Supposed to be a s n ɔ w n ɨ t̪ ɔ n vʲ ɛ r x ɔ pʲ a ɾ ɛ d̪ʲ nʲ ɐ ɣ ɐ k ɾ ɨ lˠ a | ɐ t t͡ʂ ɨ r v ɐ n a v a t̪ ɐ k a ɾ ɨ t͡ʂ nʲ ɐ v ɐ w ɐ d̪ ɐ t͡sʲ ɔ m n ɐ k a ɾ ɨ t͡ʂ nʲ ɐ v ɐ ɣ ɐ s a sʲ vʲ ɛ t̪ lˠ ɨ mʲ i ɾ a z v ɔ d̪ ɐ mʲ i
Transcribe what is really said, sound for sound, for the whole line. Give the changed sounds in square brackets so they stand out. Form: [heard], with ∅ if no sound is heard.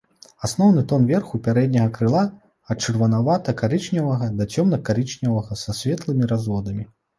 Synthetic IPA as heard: a s n ɔ w n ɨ t̪ ɔ n vʲ ɛ r x [u] pʲ a ɾ ɛ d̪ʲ nʲ ɐ ɣ ɐ k ɾ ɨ lˠ a | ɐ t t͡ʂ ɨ r v ɐ n a v a t̪ ɐ k a ɾ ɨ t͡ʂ nʲ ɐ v ɐ [ɣ] ɐ d̪ ɐ t͡sʲ ɔ m n ɐ k a ɾ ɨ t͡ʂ nʲ ɐ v ɐ ɣ ɐ s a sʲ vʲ ɛ t̪ lˠ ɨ mʲ i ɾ a z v ɔ d̪ ɐ mʲ i